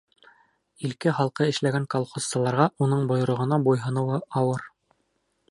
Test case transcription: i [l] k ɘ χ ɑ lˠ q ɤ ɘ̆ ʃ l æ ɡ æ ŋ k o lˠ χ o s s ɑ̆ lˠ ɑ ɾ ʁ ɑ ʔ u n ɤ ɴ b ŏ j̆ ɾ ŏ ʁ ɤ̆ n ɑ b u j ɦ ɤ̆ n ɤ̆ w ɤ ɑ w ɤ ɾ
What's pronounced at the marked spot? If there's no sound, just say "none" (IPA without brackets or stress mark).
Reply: l